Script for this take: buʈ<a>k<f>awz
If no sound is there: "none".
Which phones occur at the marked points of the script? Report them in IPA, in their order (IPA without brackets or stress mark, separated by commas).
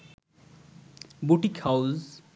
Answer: i, h